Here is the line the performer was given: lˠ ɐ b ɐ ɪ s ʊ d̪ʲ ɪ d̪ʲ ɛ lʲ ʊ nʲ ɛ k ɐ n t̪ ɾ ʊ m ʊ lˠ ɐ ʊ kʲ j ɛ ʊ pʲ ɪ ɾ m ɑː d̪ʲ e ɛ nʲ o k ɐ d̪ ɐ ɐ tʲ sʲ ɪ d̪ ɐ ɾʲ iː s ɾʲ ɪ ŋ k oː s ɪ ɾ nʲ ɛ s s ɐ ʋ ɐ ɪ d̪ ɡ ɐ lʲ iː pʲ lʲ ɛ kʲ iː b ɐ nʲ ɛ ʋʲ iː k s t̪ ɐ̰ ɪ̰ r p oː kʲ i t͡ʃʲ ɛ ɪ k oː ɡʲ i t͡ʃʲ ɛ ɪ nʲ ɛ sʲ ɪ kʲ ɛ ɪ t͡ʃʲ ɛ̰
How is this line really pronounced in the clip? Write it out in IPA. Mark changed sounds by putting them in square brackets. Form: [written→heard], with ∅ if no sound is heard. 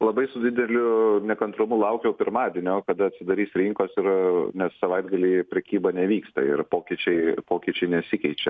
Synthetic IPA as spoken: lˠ ɐ b ɐ ɪ s ʊ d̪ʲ ɪ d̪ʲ ɛ lʲ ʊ nʲ ɛ k ɐ n t̪ ɾ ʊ m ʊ lˠ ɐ ʊ kʲ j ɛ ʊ pʲ ɪ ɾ m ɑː d̪ʲ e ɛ nʲ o k ɐ d̪ ɐ ɐ tʲ sʲ ɪ d̪ ɐ ɾʲ iː s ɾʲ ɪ ŋ k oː s ɪ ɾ nʲ ɛ s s ɐ ʋ ɐ ɪ d̪ ɡ ɐ lʲ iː pʲ [lʲ→ɾʲ] ɛ kʲ iː b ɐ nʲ ɛ ʋʲ iː k s t̪ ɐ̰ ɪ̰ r p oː kʲ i t͡ʃʲ ɛ ɪ [k→p] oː [ɡʲ→kʲ] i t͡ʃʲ ɛ ɪ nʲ ɛ sʲ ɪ kʲ ɛ ɪ t͡ʃʲ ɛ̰